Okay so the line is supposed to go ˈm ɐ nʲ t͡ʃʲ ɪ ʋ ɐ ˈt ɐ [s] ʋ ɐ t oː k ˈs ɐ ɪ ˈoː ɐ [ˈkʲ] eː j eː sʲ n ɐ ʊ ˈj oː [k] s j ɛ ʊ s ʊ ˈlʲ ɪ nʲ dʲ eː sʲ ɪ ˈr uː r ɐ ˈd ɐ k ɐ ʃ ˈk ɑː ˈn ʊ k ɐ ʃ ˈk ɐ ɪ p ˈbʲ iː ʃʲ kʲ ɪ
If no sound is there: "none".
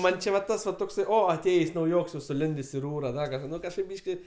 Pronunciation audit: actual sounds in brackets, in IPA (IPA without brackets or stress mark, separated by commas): s, tʲ, k